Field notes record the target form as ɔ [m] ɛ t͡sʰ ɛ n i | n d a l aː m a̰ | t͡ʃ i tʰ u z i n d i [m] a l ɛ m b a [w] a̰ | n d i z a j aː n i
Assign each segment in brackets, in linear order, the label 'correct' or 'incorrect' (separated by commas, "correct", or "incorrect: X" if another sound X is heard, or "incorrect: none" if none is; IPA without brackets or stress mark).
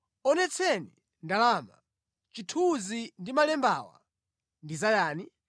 incorrect: n, correct, correct